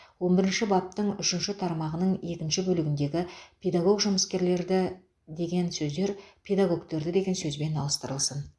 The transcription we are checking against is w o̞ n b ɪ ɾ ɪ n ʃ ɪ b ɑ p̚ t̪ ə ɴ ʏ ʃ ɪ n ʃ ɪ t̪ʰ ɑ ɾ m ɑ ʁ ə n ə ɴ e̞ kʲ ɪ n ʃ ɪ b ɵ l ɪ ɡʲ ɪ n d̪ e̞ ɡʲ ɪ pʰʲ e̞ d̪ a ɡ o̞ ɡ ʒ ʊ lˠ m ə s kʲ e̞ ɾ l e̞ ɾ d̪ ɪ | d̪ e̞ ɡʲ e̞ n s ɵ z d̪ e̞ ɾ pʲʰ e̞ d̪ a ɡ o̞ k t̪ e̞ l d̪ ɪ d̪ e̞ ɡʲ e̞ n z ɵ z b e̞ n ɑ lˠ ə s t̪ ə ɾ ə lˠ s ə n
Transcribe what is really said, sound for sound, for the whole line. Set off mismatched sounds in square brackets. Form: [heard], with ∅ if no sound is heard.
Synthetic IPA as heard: w o̞ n b ɪ ɾ ɪ n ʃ ɪ b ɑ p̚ t̪ ə ɴ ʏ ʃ ɪ n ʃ ɪ t̪ʰ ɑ ɾ m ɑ ʁ ə n ə ɴ e̞ kʲ ɪ n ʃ ɪ b ɵ l ɪ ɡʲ ɪ n d̪ e̞ ɡʲ ɪ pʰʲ e̞ d̪ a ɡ o̞ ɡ ʒ ʊ [∅] m ə s kʲ e̞ ɾ l e̞ ɾ d̪ ɪ | d̪ e̞ ɡʲ e̞ n s ɵ z d̪ e̞ ɾ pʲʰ e̞ d̪ a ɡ o̞ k t̪ e̞ [ɾ] d̪ ɪ d̪ e̞ ɡʲ e̞ n [s] ɵ z b e̞ n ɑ lˠ ə s t̪ ə ɾ ə lˠ s ə n